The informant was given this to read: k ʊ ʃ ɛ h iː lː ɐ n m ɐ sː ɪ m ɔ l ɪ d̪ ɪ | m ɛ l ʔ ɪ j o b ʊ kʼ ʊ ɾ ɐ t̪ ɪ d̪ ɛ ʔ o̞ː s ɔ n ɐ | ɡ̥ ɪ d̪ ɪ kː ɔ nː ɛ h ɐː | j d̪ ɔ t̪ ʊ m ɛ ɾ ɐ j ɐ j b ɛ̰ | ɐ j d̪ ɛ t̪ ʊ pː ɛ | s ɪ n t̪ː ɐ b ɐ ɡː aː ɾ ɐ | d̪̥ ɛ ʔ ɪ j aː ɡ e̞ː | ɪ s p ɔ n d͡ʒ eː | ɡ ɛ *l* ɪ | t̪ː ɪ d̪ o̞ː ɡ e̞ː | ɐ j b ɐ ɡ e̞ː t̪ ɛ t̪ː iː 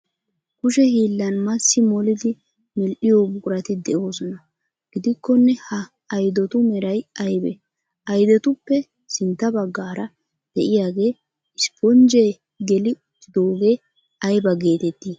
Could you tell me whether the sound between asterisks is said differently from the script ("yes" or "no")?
no